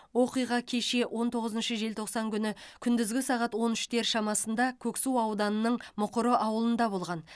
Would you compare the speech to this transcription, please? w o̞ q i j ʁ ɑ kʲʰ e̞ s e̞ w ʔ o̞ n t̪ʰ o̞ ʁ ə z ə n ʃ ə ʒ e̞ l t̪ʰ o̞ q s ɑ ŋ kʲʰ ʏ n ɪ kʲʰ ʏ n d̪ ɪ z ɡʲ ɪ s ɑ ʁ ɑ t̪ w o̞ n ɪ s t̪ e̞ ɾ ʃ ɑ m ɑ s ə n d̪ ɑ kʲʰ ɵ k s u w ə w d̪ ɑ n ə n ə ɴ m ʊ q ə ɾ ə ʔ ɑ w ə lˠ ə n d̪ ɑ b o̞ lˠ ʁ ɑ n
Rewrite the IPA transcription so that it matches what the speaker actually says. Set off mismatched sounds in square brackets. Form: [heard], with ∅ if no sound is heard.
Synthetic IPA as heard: w o̞ q i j ʁ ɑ kʲʰ e̞ [ʃ] e̞ w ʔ o̞ n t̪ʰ o̞ ʁ ə z ə n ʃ ə ʒ e̞ l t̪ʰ o̞ q s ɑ ŋ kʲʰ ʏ n ɪ kʲʰ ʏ n d̪ ɪ z ɡʲ ɪ s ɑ ʁ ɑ t̪ w o̞ n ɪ [ʃ] t̪ e̞ ɾ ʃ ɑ m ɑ s ə n d̪ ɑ kʲʰ ɵ k s u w [ɑ] w d̪ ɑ n ə n ə ɴ m ʊ q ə ɾ ə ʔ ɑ w ə lˠ ə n d̪ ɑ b o̞ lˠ ʁ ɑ n